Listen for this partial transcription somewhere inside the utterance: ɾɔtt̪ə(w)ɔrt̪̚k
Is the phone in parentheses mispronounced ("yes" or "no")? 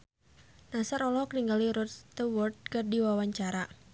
no